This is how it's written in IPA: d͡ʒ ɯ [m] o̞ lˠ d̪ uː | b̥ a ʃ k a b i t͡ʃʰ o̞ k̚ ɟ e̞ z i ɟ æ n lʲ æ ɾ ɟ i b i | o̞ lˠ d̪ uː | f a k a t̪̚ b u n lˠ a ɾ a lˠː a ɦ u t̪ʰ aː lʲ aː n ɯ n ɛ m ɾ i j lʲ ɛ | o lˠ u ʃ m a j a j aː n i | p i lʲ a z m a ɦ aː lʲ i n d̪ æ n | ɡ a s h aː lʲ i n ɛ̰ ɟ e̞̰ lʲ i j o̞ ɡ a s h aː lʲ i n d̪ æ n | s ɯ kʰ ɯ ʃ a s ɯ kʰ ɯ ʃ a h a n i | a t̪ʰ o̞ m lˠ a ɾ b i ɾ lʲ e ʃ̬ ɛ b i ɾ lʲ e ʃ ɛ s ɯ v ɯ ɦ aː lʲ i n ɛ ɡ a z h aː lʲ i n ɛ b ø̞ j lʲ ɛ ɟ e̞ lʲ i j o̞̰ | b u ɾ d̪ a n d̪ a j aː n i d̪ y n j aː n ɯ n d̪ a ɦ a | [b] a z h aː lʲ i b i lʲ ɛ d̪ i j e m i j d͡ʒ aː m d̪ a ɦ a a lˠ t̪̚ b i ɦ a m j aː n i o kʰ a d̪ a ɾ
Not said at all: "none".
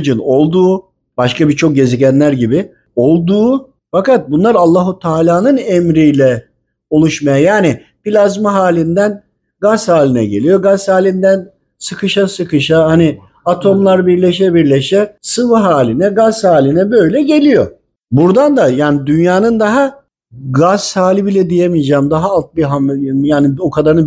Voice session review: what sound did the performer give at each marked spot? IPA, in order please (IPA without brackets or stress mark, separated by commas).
n, ɡ